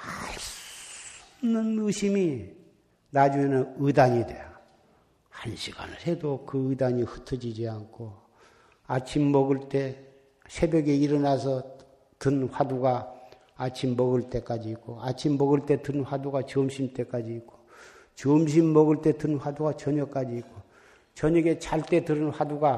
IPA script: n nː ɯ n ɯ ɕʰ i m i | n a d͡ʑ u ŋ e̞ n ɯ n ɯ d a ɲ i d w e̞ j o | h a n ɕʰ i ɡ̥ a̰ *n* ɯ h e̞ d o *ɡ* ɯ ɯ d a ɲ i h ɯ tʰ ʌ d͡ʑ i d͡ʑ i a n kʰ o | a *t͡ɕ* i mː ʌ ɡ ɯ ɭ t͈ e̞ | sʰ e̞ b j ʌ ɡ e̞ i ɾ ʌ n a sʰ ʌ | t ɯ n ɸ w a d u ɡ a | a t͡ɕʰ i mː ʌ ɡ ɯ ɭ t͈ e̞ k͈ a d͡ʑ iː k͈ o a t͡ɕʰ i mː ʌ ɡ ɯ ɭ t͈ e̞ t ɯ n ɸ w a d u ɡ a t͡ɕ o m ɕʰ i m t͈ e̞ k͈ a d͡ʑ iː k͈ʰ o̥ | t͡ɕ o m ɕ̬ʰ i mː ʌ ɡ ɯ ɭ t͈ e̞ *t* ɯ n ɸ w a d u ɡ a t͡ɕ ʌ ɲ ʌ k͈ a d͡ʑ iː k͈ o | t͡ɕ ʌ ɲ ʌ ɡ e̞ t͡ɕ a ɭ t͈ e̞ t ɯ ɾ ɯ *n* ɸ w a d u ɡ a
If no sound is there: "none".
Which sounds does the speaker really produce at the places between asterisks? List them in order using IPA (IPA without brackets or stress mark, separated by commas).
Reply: n, k, t͡ɕʰ, t, n